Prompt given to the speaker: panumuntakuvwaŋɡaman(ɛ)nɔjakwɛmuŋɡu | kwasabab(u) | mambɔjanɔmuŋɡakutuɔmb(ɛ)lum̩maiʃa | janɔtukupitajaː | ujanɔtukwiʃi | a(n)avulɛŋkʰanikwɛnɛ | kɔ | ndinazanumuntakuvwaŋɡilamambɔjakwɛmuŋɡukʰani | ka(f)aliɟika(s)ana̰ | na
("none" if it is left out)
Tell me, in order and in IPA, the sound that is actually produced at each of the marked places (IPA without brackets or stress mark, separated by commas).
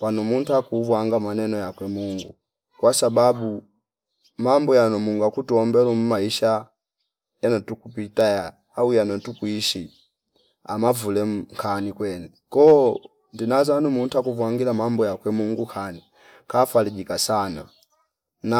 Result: ɛ, u, ɛ, m, f, s